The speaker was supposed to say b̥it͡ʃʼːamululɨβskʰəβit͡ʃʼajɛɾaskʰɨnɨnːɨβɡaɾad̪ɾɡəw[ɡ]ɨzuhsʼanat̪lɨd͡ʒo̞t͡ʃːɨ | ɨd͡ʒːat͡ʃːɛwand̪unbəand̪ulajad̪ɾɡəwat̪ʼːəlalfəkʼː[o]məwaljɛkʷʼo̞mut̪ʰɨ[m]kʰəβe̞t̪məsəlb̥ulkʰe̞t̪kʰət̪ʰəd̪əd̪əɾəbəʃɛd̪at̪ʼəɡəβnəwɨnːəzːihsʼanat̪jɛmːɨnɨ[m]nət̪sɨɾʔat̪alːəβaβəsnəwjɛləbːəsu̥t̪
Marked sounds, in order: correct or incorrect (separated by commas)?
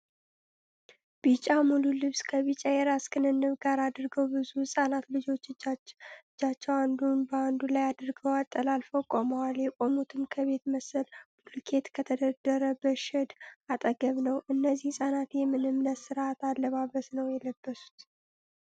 incorrect, correct, correct, correct